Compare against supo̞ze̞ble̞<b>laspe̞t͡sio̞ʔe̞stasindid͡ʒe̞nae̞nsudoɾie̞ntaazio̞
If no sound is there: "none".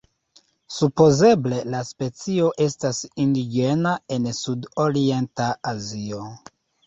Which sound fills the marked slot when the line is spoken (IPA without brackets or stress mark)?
none